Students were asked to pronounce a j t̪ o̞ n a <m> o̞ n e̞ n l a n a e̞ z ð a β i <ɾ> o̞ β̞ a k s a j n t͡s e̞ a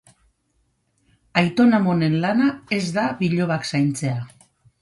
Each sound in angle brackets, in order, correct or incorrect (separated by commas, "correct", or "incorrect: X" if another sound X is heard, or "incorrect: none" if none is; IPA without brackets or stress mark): correct, incorrect: ʎ